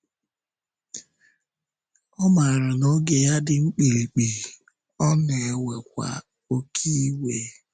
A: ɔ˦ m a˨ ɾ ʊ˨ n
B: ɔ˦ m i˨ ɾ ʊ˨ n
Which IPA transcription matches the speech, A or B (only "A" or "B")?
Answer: A